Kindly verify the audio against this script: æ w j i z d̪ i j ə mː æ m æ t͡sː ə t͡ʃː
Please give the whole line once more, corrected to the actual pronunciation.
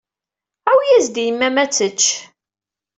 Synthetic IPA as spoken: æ w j æ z d̪ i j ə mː æ m æ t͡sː ə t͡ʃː